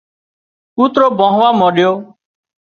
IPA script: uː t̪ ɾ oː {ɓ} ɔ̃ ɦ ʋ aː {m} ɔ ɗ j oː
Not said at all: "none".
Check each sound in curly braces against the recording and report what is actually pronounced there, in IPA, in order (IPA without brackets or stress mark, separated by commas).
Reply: b, m